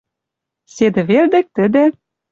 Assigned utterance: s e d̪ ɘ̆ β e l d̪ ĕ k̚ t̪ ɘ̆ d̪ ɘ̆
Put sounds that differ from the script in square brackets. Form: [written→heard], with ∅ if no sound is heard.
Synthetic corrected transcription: s e d̪ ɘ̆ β e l d̪ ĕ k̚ t̪ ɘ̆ d̪ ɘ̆